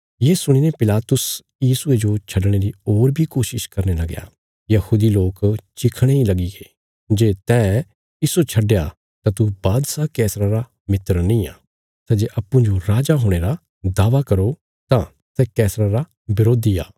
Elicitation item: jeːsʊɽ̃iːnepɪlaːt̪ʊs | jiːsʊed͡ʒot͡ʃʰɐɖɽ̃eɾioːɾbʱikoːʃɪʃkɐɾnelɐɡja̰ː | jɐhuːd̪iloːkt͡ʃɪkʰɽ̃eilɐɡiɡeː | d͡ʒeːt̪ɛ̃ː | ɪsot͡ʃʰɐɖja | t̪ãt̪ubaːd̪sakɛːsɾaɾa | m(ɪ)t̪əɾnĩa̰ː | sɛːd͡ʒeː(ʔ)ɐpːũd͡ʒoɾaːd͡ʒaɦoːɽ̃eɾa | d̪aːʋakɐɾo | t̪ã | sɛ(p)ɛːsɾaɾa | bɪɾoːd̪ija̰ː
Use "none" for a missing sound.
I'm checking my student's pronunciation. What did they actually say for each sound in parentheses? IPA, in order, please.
ɪ, ʔ, k

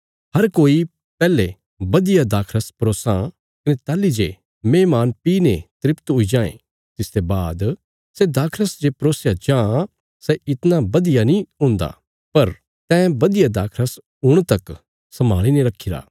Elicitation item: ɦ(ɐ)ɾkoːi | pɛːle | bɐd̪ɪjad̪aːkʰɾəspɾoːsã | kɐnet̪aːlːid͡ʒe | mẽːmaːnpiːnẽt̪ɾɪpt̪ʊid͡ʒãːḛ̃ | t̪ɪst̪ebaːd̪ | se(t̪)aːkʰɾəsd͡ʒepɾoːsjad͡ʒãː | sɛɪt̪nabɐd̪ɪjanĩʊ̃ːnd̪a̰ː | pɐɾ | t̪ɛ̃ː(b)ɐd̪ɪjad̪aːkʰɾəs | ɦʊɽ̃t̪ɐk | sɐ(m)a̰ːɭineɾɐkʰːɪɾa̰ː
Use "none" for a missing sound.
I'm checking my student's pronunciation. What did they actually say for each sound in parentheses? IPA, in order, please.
ɐ, d̪, b, m

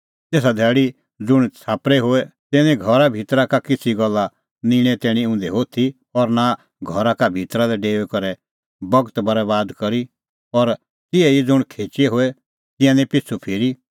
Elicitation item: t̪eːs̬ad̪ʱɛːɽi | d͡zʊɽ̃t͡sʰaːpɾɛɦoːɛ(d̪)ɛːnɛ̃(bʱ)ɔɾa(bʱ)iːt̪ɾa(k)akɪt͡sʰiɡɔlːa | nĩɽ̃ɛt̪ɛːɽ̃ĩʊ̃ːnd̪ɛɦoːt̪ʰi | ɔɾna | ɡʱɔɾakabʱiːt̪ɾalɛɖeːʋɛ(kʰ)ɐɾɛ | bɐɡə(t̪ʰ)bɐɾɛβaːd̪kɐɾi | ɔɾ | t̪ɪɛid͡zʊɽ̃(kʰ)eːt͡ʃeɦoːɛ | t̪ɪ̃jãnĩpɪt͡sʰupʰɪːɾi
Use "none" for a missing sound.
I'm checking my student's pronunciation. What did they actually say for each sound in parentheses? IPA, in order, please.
t̪, ɡʱ, bʱ, k, k, t̪, kʰ

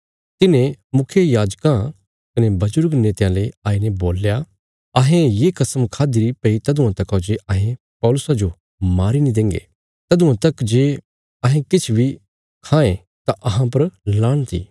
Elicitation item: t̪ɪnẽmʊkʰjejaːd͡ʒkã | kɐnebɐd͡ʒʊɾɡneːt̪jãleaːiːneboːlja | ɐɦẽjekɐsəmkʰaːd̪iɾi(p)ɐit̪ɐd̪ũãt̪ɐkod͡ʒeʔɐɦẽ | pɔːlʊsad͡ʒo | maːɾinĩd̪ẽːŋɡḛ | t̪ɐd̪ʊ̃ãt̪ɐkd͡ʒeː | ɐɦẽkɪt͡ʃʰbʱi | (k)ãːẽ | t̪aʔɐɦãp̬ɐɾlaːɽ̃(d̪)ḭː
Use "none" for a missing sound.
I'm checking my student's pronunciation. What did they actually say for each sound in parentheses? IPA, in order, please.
p, kʰ, t̪

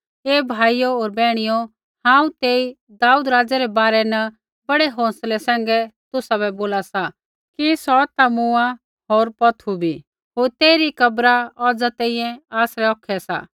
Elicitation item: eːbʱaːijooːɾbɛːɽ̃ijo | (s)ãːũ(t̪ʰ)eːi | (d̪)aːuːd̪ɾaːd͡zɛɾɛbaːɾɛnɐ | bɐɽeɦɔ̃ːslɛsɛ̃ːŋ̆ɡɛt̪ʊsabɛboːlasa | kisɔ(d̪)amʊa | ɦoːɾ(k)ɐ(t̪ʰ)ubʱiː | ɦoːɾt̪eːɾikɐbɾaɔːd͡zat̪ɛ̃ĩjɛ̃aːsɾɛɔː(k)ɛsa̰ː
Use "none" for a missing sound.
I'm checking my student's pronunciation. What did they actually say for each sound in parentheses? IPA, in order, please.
h, t̪, d̪, t̪, p, t̪ʰ, kʰ

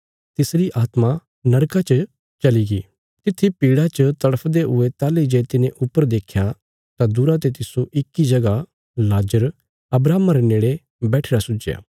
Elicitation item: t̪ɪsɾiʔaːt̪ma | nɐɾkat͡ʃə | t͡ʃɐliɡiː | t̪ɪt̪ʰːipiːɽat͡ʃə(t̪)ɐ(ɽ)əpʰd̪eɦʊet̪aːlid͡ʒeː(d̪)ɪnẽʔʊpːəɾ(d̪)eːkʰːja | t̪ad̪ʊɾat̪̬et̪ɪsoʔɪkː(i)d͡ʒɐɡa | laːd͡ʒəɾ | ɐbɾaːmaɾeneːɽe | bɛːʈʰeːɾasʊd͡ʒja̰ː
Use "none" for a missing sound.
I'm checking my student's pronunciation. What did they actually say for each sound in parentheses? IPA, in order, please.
t̪, ɽ, t̪, d̪, i

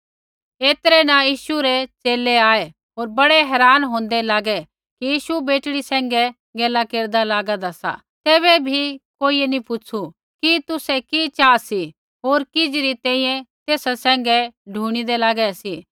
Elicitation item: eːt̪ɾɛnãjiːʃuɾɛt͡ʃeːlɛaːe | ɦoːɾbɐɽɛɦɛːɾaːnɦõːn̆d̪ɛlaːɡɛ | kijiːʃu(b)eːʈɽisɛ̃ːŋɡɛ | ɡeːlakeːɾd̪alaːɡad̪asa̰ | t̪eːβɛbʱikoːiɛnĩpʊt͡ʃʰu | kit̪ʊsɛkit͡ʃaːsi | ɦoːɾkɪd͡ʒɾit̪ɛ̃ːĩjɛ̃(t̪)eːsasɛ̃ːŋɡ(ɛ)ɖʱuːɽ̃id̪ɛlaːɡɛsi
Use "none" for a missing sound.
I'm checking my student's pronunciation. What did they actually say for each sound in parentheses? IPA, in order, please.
b, t̪, ɛ

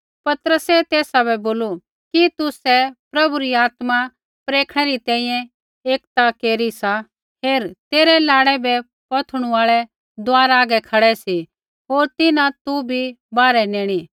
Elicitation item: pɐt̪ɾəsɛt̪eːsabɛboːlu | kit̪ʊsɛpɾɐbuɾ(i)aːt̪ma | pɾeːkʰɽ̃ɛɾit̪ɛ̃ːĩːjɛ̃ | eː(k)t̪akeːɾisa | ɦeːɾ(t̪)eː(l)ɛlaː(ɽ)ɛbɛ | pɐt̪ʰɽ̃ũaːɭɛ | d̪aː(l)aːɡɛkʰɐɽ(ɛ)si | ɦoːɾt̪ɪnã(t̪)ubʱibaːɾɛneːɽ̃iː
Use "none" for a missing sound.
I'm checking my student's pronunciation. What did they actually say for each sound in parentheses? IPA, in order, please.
i, k, t̪, ɾ, ɽ, ɾ, ɛ, t̪

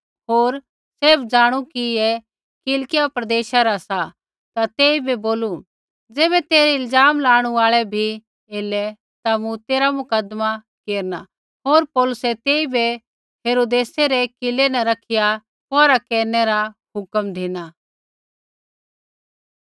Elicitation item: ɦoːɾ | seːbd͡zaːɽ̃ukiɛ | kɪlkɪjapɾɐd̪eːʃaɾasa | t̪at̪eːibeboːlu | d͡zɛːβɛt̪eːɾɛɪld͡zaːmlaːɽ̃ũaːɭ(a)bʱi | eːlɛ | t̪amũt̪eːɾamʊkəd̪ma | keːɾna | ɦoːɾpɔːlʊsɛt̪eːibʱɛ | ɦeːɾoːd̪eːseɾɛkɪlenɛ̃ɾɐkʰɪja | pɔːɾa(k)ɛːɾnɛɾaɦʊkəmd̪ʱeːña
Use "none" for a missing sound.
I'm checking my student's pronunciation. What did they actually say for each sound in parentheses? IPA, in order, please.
ɛ, k

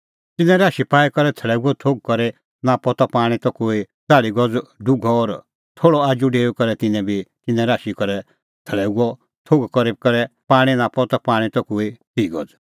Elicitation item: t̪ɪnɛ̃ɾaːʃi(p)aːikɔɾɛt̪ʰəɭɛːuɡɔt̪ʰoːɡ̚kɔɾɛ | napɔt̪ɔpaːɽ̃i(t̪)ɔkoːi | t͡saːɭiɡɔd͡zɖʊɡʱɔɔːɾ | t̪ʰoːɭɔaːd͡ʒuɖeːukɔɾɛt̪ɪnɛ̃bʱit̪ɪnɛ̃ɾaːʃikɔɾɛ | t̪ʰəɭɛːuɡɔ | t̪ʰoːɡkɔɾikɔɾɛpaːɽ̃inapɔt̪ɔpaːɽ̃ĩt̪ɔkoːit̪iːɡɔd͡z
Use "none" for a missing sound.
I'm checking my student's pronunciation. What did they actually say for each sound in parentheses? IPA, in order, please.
p, t̪

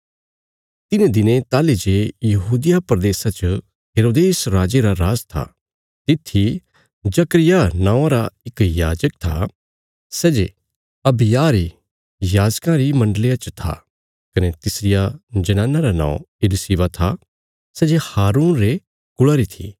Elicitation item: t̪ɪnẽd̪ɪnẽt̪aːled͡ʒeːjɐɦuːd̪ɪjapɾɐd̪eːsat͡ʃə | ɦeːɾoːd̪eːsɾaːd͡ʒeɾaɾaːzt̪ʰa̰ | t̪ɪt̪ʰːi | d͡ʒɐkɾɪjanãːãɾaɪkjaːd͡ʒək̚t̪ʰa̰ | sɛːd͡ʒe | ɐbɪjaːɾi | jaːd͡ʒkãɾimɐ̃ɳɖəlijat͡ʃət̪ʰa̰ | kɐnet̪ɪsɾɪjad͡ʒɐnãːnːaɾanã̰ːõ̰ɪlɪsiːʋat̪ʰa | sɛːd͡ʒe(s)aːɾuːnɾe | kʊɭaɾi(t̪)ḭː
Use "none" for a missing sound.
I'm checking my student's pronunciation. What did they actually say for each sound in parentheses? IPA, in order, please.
h, t̪ʰ

